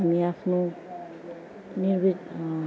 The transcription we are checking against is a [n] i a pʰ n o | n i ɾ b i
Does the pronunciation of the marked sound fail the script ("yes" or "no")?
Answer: yes